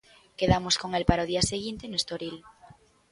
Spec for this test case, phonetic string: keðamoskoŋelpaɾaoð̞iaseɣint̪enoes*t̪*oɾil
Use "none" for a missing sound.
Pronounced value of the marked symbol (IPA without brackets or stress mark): t̪